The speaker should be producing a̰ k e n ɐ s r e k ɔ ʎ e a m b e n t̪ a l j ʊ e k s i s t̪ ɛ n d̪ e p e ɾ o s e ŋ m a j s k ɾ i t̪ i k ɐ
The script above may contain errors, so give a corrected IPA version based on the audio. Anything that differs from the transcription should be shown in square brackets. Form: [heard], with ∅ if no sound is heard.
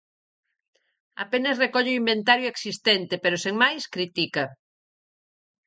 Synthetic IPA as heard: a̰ [p] e n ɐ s r e k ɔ ʎ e [i] m b e n t̪ a [ɾ] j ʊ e k s i s t̪ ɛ n [t̪] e p e ɾ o s e ŋ m a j s k ɾ i t̪ i k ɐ

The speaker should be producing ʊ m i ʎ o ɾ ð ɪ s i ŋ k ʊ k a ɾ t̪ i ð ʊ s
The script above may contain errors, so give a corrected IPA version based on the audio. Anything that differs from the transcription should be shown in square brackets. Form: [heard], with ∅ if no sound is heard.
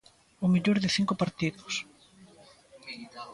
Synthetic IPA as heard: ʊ m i ʎ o ɾ ð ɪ [θ] i ŋ k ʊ [p] a ɾ t̪ i ð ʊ s

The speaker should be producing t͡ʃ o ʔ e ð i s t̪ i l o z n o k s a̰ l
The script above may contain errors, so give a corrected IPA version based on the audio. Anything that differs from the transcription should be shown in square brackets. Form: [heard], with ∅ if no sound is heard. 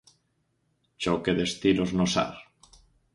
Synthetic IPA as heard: t͡ʃ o [k] e ð [e] s t̪ i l o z n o [∅] s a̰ [ɾ]

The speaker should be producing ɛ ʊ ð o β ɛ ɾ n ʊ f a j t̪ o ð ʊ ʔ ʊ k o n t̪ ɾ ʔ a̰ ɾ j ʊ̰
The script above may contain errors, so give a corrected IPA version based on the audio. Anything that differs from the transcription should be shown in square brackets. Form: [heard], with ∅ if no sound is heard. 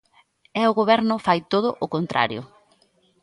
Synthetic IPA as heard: ɛ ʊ [ɣ] o β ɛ ɾ n ʊ f a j t̪ o ð ʊ ʔ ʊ k o n t̪ ɾ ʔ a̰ ɾ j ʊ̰

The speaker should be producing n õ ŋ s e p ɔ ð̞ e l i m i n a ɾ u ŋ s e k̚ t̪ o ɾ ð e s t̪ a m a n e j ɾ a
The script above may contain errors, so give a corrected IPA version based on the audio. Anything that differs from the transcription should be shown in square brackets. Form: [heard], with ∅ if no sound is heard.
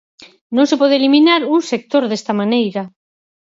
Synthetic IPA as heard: n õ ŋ s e p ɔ ð̞ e l i m i n a ɾ u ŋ s e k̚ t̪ o ɾ ð e s t̪ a m a n e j ɾ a

